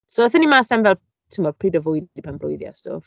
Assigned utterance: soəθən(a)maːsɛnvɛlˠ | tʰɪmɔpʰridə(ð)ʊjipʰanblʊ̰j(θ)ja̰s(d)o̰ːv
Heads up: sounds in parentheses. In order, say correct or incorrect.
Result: incorrect, incorrect, incorrect, incorrect

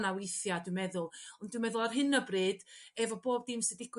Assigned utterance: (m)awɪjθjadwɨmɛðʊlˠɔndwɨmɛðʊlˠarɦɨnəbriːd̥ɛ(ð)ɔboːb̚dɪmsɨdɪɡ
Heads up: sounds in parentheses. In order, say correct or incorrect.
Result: incorrect, incorrect

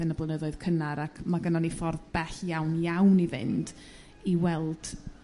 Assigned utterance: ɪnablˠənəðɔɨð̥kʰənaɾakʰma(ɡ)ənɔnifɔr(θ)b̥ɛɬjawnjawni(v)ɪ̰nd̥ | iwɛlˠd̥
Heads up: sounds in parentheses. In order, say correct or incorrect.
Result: correct, incorrect, correct

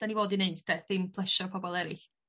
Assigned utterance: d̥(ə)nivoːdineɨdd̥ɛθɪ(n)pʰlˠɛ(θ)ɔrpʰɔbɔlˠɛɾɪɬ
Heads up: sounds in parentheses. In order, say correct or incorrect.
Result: incorrect, incorrect, incorrect

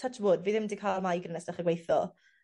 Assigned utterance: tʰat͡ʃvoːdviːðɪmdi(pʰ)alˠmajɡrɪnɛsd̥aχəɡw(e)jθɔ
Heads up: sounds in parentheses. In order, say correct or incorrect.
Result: incorrect, correct

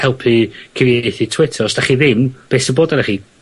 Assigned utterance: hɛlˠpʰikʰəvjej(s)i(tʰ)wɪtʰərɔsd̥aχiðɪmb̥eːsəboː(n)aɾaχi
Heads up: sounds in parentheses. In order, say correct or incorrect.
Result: incorrect, correct, incorrect

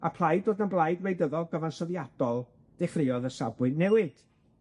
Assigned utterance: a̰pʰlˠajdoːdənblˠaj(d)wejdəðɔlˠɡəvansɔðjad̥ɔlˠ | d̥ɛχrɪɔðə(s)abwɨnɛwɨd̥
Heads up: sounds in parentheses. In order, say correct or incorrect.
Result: correct, correct

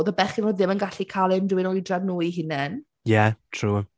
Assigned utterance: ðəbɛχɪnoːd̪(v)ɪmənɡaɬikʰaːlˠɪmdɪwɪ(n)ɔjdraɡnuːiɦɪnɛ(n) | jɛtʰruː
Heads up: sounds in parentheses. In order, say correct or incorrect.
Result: incorrect, correct, correct

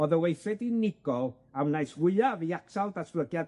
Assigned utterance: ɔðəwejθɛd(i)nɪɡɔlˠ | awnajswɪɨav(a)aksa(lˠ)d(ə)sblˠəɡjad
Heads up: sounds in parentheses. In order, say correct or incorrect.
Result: correct, incorrect, correct, incorrect

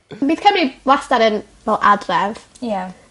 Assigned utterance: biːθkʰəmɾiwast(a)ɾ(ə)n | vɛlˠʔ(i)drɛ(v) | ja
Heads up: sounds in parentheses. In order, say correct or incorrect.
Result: correct, correct, incorrect, correct

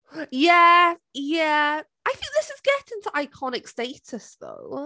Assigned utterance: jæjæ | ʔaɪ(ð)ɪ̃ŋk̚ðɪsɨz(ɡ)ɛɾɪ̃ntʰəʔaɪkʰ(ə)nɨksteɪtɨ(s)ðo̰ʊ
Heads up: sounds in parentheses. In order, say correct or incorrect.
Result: incorrect, correct, incorrect, correct

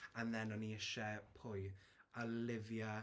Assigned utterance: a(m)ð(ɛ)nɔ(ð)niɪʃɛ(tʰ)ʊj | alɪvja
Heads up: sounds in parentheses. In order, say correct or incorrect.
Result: incorrect, correct, incorrect, incorrect

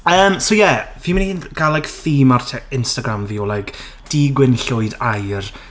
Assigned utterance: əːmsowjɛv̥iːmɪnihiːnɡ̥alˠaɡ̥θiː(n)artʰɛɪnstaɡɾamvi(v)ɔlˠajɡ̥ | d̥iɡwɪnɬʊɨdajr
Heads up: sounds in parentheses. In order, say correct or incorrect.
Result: incorrect, incorrect

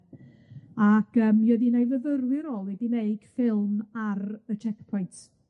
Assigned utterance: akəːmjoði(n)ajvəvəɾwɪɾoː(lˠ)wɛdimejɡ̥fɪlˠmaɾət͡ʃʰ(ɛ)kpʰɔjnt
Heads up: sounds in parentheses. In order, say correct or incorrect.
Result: correct, correct, correct

